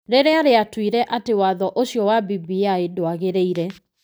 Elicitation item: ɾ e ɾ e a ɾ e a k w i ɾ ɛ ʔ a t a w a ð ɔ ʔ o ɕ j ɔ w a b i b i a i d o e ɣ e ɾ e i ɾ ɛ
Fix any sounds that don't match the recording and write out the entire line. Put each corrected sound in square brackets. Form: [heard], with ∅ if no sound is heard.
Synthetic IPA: ɾ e ɾ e a ɾ e a [t] w i ɾ ɛ ʔ a t [e] w a ð ɔ ʔ o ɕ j ɔ w a b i b i a [e] d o [a] ɣ e ɾ e i ɾ ɛ